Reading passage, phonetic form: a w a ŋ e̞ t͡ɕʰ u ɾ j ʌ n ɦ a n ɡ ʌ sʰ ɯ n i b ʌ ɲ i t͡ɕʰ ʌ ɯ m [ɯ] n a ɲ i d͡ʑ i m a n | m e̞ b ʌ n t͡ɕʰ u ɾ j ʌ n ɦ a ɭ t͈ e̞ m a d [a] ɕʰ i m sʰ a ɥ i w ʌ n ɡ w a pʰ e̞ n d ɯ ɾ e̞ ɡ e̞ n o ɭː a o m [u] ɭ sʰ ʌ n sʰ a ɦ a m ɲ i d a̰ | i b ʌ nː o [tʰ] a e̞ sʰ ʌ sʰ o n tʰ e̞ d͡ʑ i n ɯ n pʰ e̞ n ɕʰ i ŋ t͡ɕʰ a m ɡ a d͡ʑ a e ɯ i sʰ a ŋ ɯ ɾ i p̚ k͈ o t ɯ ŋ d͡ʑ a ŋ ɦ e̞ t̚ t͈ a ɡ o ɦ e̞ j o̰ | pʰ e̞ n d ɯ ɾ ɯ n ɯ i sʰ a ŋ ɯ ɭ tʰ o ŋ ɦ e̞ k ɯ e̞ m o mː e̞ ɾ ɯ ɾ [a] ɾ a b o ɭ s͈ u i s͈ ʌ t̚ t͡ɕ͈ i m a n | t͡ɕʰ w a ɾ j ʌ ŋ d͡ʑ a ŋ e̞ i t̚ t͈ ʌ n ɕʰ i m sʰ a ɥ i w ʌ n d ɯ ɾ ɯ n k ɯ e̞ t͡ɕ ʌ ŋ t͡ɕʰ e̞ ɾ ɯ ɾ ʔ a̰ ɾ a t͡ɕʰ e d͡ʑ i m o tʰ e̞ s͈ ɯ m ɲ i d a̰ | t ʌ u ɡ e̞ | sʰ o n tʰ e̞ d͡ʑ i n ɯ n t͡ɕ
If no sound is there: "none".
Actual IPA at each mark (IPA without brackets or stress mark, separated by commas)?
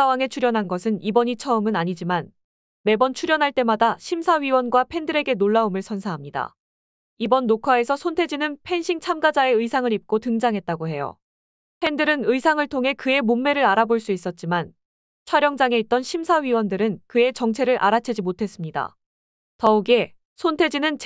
ɯ, a, ɯ, kʰ, a